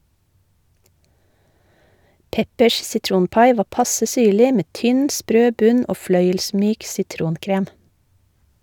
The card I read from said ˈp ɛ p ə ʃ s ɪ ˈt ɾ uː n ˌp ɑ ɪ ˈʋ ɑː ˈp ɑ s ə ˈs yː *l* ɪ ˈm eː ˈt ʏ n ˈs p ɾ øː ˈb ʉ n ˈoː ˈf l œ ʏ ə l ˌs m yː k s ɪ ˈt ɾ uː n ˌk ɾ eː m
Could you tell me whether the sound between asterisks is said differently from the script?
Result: yes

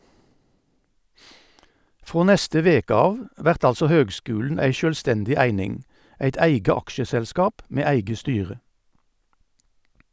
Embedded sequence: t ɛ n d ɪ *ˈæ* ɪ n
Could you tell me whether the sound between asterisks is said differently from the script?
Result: no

